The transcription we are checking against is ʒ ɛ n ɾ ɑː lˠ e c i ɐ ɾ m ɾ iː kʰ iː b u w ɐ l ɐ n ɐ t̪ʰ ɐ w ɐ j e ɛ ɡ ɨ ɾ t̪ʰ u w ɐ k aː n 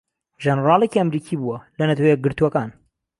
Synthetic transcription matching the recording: ʒ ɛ n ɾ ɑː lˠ e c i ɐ m ɾ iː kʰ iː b u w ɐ l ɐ n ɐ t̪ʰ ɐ w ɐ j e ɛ ɡ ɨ ɾ t̪ u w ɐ k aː n